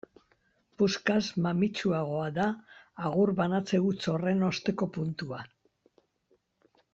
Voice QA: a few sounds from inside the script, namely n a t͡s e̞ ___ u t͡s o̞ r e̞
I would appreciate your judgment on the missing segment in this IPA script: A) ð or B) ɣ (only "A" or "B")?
B